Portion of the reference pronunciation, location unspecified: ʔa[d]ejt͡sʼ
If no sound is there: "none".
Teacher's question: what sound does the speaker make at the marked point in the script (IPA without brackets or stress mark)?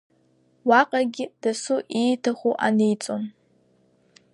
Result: n